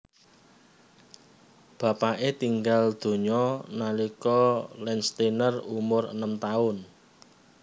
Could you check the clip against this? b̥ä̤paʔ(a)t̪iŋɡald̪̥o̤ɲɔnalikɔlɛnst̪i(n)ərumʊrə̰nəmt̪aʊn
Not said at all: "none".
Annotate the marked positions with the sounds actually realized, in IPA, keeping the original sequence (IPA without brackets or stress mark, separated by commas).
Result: e, n